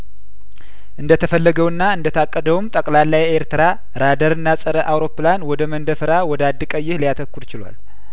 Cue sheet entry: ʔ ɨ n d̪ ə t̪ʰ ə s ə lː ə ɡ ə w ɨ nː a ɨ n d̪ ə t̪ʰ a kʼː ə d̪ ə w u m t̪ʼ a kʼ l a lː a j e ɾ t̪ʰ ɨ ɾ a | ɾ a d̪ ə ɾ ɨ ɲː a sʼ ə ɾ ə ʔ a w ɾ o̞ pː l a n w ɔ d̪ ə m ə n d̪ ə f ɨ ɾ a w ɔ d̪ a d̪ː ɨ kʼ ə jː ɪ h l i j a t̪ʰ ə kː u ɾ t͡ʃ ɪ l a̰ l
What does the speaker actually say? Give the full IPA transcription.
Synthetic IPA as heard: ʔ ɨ n d̪ ə t̪ʰ ə f ə lː ə ɡ ə w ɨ nː a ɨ n d̪ ə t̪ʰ a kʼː ə d̪ ə w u m t̪ʼ ə kʼ l a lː a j e ɾ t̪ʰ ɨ ɾ a | ɾ a d̪ ə ɾ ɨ nː a sʼ ə ɾ ə ʔ a w ɾ o̞ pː l a n w ɔ d̪ ə m ə n d̪ ə f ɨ ɾ a w ɔ d̪ a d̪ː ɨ kʼ ə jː ɪ h l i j a t̪ʰ ə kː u ɾ t͡ʃ ɪ l a̰ l